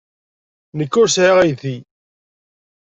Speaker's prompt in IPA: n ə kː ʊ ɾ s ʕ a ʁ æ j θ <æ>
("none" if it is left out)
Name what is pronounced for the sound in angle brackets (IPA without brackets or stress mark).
i